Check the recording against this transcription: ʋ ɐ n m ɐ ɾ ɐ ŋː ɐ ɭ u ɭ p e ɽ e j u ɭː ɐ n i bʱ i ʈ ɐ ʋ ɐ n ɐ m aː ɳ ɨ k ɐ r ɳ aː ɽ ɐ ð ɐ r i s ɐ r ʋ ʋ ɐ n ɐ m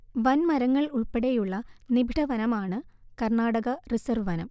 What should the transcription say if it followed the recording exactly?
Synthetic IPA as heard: ʋ ɐ n m ɐ ɾ ɐ ŋː ɐ ɭ u ɭ p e ɽ e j u ɭː ɐ n i bʱ i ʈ ɐ ʋ ɐ n ɐ m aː ɳ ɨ k ɐ r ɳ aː ɽ ɐ ɣ ɐ r i s ɐ r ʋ ʋ ɐ n ɐ m